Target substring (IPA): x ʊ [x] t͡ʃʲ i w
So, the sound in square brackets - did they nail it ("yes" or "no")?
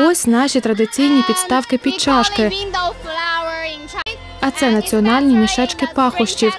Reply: no